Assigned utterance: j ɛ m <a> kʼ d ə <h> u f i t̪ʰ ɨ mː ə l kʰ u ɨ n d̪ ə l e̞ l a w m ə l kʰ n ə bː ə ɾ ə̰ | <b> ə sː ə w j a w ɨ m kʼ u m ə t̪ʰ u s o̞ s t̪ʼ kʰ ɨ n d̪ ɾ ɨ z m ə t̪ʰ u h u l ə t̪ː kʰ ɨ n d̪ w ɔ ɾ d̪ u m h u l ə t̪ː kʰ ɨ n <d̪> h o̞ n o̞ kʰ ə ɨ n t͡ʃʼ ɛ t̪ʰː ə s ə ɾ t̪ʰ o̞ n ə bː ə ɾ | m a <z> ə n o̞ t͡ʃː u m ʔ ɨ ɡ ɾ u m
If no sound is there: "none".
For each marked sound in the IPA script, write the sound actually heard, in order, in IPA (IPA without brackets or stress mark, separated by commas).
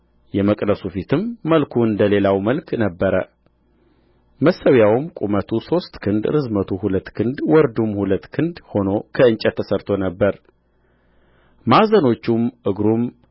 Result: ə, s, m, d̪, z